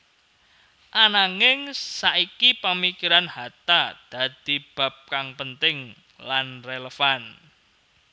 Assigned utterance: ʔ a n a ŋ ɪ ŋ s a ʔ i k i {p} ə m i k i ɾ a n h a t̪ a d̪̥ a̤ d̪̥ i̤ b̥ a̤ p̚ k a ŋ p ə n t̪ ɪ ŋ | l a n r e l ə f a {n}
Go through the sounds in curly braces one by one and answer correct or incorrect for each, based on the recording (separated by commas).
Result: correct, correct